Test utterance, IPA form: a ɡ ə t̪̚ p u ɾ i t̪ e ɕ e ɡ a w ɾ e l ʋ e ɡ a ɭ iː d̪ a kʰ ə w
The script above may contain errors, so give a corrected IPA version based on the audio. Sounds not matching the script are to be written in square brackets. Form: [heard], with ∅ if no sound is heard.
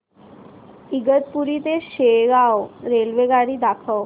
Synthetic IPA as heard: [i] ɡ ə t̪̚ p u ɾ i t̪ e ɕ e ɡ a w ɾ e l ʋ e ɡ a [ɽ] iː d̪ a kʰ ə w